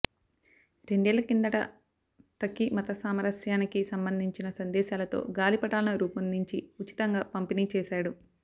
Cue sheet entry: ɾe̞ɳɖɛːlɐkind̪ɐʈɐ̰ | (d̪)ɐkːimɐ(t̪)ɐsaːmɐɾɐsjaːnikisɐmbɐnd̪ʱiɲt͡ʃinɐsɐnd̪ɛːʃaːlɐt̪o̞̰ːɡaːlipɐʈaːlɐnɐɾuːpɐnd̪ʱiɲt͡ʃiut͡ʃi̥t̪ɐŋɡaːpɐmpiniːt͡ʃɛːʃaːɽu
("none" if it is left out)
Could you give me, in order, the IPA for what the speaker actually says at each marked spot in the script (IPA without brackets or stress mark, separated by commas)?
t̪, t̪